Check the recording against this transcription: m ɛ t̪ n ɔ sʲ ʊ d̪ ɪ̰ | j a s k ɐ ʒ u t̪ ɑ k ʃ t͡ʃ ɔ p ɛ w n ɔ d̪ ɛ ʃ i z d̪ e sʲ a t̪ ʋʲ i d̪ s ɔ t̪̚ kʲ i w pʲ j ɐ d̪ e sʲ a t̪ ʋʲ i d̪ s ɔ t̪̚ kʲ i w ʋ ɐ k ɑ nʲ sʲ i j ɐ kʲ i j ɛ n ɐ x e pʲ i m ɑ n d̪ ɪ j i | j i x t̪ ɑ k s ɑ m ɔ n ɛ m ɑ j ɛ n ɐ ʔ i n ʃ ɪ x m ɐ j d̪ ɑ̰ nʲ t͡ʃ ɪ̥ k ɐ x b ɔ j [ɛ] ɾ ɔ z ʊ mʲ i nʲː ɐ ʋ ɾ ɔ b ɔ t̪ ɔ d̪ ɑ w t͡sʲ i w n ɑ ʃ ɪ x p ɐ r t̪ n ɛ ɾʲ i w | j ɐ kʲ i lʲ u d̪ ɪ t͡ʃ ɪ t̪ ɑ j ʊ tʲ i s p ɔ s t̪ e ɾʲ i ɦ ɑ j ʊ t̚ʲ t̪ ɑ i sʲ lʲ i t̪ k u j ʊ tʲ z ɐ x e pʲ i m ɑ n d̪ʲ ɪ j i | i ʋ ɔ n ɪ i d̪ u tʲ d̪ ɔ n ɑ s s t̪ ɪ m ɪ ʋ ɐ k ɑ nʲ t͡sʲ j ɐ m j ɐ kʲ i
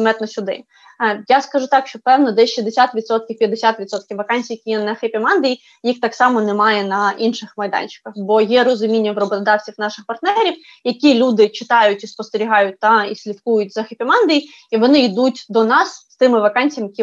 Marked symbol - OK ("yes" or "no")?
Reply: yes